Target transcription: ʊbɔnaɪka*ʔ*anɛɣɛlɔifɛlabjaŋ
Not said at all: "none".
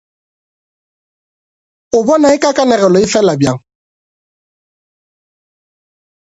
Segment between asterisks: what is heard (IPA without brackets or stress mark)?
k